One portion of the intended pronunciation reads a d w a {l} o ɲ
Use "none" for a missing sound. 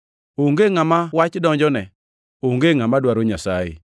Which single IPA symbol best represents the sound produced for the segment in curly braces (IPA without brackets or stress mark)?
ɾ